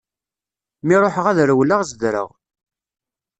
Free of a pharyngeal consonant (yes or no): no